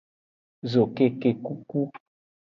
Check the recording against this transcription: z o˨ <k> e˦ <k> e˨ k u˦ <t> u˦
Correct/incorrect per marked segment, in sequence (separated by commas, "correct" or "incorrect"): correct, correct, incorrect